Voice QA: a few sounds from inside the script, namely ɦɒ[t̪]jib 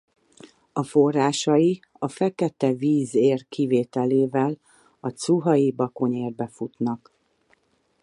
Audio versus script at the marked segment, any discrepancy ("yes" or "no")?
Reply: yes